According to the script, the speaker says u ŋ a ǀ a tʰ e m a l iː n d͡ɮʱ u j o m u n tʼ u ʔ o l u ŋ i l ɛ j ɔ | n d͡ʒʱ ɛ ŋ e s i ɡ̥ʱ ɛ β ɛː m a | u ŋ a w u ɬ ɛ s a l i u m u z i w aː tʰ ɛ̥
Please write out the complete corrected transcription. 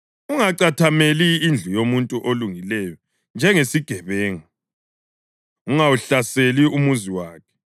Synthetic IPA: u ŋ a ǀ a tʰ a m e l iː n d͡ɮʱ u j o m u n tʼ u ʔ o l u ŋ i l ɛ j ɔ | n d͡ʒʱ ɛ ŋ e s i ɡ̥ʱ ɛ β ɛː ŋ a | u ŋ a w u ɬ a s e l i u m u z i w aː kʰ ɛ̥